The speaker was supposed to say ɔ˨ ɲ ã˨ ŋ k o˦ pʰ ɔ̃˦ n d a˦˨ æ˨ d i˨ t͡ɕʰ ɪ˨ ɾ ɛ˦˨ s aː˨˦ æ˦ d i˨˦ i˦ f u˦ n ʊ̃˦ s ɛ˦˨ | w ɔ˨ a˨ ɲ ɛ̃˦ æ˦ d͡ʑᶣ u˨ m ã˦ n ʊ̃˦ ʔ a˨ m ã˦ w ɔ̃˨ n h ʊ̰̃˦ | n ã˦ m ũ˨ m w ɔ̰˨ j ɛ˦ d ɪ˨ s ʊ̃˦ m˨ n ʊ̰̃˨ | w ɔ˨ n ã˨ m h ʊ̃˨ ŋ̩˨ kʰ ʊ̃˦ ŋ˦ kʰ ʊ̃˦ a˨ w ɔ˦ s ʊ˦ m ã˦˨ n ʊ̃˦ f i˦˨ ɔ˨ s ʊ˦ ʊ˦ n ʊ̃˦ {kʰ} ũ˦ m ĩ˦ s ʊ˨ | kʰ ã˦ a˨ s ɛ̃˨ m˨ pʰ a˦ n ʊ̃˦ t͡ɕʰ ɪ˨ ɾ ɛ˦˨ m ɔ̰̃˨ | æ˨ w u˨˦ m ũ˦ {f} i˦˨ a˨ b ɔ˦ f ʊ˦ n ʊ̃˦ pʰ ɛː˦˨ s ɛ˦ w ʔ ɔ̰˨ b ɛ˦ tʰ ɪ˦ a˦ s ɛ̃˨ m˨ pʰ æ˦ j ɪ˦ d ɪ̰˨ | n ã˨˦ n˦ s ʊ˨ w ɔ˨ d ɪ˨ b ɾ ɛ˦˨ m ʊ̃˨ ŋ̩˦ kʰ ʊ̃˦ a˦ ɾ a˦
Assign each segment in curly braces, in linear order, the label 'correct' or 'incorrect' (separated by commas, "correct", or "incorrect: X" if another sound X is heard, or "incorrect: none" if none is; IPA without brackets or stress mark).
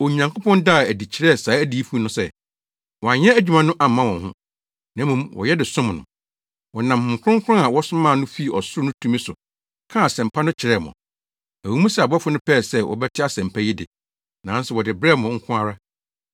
incorrect: tʰ, incorrect: s